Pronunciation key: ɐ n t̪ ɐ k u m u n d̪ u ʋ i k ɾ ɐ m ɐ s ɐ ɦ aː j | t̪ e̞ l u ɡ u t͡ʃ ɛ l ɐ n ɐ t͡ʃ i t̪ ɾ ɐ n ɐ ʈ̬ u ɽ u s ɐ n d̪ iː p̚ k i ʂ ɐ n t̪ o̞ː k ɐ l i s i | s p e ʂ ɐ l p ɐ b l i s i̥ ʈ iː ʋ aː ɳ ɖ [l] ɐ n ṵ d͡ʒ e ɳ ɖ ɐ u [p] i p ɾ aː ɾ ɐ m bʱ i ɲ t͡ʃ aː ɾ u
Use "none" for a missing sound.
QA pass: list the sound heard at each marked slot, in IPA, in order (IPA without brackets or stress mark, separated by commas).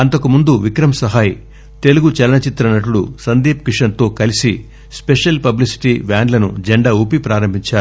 l, p